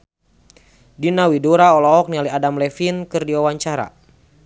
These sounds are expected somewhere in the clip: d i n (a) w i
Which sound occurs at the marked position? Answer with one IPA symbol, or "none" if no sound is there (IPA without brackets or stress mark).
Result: a